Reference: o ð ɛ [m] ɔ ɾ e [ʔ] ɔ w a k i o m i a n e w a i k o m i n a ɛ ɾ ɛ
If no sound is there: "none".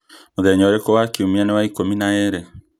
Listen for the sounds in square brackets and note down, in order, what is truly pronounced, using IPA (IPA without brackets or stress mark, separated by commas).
ɲ, k